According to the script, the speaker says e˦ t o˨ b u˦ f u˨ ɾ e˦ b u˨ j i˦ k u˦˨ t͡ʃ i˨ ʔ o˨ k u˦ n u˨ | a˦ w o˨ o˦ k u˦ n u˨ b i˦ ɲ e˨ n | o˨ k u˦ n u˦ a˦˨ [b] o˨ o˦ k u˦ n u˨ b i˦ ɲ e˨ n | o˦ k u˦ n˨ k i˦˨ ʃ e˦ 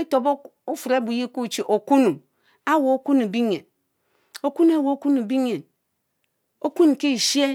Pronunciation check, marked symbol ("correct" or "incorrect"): incorrect